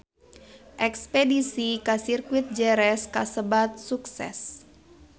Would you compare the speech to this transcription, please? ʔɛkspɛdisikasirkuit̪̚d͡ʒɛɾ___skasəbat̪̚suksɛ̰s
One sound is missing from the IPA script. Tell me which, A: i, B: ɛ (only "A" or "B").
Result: B